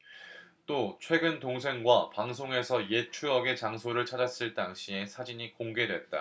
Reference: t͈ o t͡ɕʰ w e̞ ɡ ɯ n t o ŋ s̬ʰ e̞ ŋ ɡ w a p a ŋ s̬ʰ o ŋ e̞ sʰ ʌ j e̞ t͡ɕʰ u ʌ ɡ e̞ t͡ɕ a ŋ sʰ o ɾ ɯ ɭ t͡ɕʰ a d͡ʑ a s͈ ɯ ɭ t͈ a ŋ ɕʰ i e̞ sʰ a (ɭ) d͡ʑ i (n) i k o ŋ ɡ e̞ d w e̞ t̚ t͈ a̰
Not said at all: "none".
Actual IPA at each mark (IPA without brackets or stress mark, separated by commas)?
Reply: none, ɲ